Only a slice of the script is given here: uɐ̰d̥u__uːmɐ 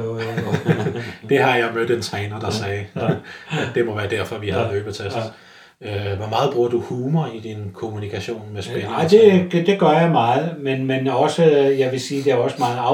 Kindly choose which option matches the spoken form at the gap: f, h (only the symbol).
h